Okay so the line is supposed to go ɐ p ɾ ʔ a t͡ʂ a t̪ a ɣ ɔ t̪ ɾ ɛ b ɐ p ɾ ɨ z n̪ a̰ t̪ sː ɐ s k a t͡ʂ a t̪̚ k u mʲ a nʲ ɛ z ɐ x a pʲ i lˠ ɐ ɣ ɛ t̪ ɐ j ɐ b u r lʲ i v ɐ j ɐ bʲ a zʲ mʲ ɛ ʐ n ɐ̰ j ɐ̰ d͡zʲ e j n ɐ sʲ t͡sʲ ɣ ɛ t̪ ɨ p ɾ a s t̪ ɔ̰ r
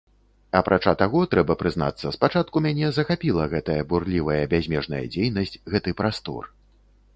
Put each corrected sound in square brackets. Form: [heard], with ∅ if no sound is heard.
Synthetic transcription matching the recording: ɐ p ɾ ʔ a t͡ʂ a t̪ a ɣ ɔ t̪ ɾ ɛ b ɐ p ɾ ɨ z n̪ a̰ t̪ sː ɐ s [p] a t͡ʂ a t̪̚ k u mʲ a nʲ ɛ z ɐ x a pʲ i lˠ ɐ ɣ ɛ t̪ ɐ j ɐ b u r lʲ i v ɐ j ɐ bʲ a zʲ mʲ ɛ ʐ n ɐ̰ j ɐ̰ d͡zʲ e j n ɐ sʲ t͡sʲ ɣ ɛ t̪ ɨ p ɾ a s t̪ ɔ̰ r